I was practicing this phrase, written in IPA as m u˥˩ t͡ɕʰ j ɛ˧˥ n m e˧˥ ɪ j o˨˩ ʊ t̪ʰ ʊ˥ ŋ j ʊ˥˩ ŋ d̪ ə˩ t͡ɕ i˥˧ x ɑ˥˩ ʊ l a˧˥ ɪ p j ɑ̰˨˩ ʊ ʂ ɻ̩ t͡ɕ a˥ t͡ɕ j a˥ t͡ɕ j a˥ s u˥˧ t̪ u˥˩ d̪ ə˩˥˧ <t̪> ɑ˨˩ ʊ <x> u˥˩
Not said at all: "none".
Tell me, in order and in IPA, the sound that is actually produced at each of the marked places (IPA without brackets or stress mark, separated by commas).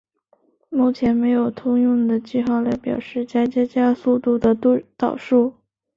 t̪, ʂ